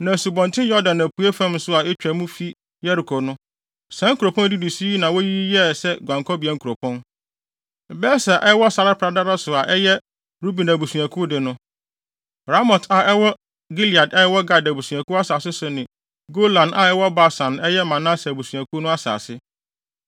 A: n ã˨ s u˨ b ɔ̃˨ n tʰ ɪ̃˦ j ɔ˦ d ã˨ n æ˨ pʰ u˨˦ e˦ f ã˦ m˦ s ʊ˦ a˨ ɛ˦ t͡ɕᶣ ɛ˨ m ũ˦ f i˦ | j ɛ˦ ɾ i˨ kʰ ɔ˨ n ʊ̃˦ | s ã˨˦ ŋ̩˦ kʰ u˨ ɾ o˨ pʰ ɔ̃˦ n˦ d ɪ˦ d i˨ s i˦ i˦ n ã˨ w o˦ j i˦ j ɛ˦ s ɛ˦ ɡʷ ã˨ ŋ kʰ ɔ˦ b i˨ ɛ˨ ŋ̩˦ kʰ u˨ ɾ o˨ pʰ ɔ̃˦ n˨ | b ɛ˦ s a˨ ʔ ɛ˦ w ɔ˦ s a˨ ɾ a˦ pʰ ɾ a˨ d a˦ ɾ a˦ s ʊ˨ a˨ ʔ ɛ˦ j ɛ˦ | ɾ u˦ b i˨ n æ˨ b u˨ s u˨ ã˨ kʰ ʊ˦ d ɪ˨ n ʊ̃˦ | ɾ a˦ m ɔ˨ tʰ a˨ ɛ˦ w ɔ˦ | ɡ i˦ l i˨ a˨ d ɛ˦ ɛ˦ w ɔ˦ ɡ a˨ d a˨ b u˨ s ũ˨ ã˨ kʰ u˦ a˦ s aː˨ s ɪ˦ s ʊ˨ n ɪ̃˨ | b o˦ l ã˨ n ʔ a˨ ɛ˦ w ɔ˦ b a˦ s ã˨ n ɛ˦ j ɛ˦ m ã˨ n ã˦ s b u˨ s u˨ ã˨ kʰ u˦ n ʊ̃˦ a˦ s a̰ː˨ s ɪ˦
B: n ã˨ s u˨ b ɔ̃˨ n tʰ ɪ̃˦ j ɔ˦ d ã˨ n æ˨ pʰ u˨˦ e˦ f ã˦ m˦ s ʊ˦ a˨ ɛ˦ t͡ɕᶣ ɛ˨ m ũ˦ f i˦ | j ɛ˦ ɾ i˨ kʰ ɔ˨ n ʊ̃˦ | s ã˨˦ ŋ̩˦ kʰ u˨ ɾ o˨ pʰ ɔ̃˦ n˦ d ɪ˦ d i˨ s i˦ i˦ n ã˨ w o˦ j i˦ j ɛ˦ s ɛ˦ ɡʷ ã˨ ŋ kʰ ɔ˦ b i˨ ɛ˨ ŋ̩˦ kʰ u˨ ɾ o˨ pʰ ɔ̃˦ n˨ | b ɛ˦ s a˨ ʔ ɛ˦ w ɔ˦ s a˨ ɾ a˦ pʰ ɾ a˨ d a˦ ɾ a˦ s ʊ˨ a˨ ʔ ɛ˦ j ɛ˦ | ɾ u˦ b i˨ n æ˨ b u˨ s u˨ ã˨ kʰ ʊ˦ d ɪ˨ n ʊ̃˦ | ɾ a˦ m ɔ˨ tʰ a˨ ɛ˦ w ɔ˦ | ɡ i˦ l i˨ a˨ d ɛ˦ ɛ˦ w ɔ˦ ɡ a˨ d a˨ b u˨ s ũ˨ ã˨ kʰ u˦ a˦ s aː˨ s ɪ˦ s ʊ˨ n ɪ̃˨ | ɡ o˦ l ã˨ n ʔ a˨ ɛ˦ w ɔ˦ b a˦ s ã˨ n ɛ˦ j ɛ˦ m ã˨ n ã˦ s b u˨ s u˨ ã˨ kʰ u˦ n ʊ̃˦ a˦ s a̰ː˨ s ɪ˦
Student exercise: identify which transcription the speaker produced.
B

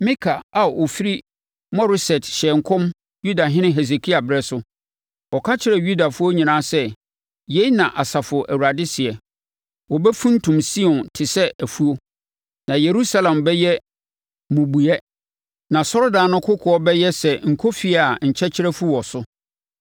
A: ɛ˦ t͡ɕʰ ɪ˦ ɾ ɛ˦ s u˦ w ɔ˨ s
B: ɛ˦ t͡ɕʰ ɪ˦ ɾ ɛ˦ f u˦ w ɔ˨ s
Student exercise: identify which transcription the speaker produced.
B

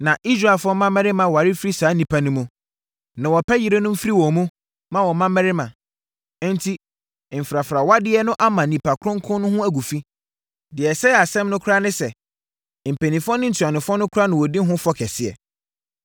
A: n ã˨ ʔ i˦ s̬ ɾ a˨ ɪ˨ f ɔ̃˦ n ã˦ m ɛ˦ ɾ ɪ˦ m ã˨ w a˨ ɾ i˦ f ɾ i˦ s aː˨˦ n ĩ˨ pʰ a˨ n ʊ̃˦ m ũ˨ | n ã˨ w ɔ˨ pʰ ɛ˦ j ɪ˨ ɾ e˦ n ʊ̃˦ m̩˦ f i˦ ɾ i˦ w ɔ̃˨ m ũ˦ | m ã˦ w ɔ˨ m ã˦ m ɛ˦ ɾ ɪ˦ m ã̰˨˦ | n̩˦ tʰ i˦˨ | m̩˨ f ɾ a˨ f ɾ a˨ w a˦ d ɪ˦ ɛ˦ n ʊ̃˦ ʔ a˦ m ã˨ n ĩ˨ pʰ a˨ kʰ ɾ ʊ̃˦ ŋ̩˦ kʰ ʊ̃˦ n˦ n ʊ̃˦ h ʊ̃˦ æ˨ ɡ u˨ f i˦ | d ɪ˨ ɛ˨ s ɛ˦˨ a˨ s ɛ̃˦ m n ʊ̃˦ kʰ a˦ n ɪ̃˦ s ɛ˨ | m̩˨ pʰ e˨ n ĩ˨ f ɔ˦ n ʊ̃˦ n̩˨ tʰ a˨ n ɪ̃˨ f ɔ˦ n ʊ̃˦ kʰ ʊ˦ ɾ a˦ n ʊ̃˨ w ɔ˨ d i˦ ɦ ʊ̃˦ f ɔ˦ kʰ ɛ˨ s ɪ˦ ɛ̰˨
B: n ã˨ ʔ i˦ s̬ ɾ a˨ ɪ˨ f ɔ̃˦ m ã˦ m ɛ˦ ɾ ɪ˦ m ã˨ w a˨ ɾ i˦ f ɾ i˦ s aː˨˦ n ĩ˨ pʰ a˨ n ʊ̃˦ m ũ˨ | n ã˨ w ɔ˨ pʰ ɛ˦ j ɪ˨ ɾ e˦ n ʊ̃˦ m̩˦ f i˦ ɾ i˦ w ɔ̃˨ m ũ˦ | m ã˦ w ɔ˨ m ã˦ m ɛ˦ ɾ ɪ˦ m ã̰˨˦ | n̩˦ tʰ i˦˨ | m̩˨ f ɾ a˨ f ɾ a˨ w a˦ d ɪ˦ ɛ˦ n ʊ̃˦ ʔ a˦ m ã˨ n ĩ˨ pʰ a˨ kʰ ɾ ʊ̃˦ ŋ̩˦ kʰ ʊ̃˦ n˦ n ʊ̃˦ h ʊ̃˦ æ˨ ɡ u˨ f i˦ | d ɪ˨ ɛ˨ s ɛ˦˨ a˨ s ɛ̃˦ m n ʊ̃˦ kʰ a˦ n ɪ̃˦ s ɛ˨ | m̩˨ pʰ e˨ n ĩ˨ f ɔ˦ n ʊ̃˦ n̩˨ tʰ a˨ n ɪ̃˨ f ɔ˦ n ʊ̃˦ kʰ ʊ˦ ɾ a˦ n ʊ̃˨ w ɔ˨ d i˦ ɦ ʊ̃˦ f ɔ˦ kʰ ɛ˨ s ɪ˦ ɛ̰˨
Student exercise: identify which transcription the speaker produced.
B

